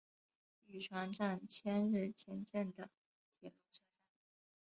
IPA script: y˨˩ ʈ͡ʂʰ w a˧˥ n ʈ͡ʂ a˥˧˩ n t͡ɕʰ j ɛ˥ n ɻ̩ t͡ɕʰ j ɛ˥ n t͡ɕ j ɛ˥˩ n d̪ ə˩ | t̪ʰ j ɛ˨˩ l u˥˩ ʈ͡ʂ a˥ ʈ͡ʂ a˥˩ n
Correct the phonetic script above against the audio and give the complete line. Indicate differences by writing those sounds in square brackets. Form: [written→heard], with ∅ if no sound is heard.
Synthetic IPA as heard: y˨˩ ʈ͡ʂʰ w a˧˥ n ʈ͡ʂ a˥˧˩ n t͡ɕʰ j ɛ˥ n ɻ̩ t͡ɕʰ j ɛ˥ n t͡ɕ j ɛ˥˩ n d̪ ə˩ | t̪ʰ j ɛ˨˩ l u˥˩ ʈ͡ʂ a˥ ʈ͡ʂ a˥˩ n